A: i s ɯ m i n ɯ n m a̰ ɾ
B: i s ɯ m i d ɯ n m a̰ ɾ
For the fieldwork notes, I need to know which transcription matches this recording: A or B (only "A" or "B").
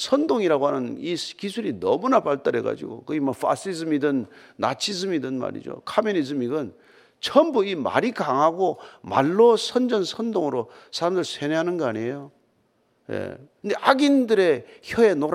B